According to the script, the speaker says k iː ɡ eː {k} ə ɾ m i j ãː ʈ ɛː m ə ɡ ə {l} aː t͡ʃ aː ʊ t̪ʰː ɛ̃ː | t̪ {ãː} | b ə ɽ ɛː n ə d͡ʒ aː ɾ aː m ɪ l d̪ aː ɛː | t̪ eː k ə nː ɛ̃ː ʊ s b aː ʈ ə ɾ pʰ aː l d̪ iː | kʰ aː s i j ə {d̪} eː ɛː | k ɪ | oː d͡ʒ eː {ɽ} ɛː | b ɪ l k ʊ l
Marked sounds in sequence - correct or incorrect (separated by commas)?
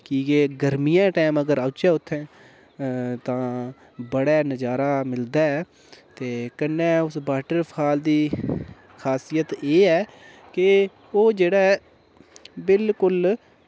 incorrect, incorrect, correct, incorrect, correct